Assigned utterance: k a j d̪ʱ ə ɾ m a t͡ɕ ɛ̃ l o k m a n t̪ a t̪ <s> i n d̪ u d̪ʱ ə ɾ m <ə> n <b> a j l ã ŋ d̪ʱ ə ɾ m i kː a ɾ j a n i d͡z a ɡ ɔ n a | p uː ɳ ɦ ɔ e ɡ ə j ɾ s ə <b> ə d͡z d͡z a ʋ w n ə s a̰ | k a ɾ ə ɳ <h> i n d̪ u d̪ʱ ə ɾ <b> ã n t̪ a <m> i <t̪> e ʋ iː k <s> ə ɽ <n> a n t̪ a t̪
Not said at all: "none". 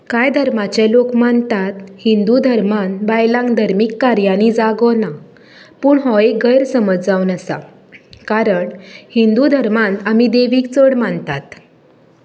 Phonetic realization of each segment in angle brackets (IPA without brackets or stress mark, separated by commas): h, a, b, m, h, m, m, d̪, t͡s, m